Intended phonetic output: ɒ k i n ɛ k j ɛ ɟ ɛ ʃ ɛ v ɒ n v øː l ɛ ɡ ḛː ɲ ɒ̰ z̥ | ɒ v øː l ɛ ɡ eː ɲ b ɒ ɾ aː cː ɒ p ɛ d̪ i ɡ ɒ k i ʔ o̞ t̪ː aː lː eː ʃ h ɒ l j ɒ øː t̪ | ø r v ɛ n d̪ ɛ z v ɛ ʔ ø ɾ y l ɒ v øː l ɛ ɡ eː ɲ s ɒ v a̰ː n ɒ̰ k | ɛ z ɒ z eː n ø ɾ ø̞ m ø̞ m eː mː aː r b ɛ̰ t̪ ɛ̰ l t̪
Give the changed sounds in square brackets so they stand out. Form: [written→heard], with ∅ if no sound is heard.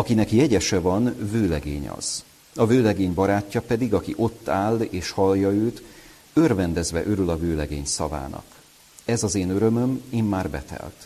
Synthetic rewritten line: ɒ k i n ɛ k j ɛ ɟ ɛ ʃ ɛ v ɒ n v øː l ɛ ɡ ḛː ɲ ɒ̰ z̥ | ɒ v øː l ɛ ɡ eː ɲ b ɒ ɾ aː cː ɒ p ɛ d̪ i ɡ ɒ k i ʔ o̞ t̪ː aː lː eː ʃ h ɒ l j ɒ øː t̪ | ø r v ɛ n d̪ ɛ z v ɛ ʔ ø ɾ y l ɒ v øː l ɛ ɡ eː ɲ s ɒ v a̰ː n ɒ̰ k | ɛ z ɒ z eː n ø ɾ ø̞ m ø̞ m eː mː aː r b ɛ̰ t̪ ɛ̰ l t̪